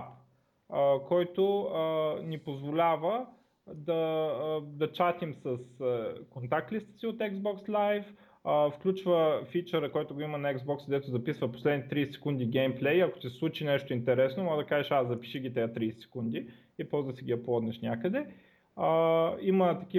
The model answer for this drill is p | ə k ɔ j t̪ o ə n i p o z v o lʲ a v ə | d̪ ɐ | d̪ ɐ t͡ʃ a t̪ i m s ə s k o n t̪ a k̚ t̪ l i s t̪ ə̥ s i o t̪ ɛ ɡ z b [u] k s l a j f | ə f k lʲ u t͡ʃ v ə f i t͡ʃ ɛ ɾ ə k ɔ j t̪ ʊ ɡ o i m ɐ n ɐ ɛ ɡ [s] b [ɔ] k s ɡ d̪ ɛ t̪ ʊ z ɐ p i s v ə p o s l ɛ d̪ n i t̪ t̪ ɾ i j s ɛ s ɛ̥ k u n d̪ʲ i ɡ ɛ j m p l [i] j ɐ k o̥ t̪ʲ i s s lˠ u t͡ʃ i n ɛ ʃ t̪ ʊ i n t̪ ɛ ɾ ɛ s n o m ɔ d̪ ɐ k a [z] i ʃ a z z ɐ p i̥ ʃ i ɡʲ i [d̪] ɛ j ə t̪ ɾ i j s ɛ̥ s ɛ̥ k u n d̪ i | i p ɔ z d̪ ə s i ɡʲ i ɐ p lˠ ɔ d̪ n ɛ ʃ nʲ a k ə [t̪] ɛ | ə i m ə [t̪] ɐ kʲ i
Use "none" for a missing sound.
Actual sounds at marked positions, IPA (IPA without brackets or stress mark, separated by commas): ɔ, z, ɔ, ɛ, ʒ, t̪, d̪, t̪